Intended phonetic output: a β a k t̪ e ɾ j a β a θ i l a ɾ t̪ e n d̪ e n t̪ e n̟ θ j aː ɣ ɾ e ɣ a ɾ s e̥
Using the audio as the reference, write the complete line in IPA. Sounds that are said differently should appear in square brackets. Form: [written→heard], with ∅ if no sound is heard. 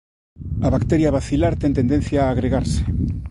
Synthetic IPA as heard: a β a k t̪ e ɾ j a β a θ i l a ɾ t̪ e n [d̪→t̪] e n [t̪→d̪] e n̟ θ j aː ɣ ɾ e ɣ a ɾ s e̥